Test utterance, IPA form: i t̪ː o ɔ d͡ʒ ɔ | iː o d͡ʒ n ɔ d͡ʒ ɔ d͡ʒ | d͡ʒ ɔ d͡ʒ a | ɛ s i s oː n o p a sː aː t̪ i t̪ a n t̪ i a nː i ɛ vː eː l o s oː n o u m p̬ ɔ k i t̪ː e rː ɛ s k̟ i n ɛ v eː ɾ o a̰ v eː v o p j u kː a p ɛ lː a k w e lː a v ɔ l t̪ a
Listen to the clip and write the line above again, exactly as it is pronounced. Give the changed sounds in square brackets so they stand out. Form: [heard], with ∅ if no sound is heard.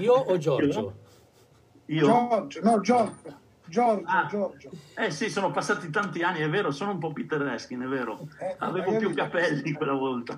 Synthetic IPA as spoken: i [∅] o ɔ d͡ʒ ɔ | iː o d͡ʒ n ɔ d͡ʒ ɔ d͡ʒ | d͡ʒ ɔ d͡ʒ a | ɛ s i s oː n o p a sː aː t̪ i t̪ a n t̪ i a nː i ɛ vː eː [ɾ] o s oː n o u m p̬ ɔ [p] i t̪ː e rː ɛ s k̟ i n ɛ v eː ɾ o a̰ v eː v o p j u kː a p ɛ lː [i] k w e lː a v ɔ l t̪ a